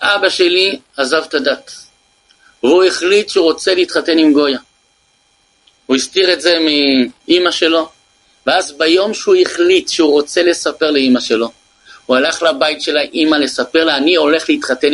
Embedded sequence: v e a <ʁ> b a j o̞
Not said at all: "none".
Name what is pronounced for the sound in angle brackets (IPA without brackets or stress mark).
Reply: z